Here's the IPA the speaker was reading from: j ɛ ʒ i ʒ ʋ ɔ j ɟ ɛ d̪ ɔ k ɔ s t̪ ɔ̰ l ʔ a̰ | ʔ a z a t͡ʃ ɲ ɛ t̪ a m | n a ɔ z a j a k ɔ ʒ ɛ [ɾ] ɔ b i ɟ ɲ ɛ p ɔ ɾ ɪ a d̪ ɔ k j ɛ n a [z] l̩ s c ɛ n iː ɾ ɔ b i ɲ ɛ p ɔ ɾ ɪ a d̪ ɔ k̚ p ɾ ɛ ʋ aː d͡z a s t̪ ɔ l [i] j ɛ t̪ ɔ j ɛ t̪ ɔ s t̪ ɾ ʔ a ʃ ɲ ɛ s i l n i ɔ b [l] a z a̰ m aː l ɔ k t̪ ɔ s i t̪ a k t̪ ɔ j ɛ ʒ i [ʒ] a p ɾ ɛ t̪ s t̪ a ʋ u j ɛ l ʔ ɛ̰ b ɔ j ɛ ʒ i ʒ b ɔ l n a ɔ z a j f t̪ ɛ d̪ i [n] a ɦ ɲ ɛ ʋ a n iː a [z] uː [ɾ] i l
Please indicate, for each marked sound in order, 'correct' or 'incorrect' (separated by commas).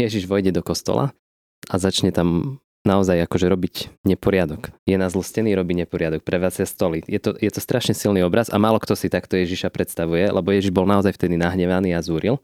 correct, correct, correct, incorrect, incorrect, correct, correct, correct